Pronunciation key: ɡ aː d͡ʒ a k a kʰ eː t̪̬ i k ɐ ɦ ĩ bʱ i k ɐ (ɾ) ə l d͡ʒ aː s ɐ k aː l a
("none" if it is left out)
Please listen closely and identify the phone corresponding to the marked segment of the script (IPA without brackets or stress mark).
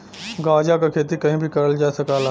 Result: ɾ